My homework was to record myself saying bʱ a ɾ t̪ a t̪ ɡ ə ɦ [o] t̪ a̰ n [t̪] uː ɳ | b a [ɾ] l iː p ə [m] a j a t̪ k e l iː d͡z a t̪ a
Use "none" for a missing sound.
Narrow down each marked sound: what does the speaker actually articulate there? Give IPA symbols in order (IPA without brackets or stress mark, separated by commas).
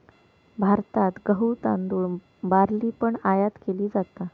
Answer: u, d̪, ɾ, ɳ